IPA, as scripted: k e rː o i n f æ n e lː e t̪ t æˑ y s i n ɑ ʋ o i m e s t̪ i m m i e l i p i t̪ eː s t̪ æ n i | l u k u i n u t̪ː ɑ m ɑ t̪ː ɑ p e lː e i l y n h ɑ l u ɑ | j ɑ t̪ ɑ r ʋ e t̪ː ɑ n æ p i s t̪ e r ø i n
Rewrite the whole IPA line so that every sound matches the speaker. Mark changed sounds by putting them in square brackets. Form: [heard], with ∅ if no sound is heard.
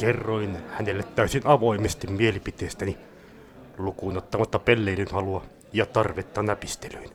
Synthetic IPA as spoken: k e rː o i n [h] æ n e lː e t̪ t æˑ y s i n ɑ ʋ o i m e s t̪ i m m i e l i p i t̪ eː s t̪ æ n i | l u k u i n [o] t̪ː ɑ m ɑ t̪ː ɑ p e lː e i l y n h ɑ l u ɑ | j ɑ t̪ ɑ r ʋ e t̪ː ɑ n æ p i s t̪ e [l] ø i n